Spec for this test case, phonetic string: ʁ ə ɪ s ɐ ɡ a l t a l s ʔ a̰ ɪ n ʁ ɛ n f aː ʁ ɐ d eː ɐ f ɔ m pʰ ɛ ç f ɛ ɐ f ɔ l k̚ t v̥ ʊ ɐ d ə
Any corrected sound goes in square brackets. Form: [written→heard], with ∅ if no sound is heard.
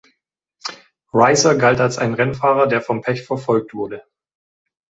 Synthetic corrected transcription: ʁ [ə→a] ɪ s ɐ ɡ a l t a l s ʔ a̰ ɪ n ʁ ɛ n f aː ʁ ɐ d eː ɐ f ɔ m pʰ ɛ ç f ɛ ɐ f ɔ l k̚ t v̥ ʊ ɐ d ə